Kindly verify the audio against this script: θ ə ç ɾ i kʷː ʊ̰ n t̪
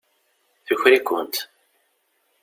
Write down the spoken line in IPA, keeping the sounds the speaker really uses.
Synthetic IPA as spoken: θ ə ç ɾ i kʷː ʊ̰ n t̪